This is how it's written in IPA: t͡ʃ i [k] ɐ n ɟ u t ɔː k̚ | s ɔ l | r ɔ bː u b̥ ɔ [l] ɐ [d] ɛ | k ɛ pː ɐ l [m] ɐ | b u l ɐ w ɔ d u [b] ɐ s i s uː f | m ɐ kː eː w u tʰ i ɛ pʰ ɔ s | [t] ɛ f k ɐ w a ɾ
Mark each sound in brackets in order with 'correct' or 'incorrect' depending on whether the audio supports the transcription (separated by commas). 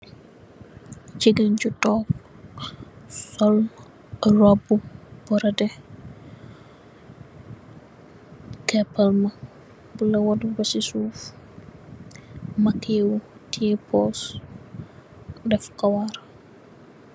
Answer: incorrect, incorrect, correct, correct, correct, incorrect